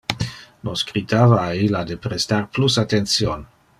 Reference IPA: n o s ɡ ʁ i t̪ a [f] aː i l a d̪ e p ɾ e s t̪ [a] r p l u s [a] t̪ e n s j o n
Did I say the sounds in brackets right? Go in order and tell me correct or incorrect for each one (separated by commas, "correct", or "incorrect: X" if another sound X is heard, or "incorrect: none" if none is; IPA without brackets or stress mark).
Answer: incorrect: v, correct, correct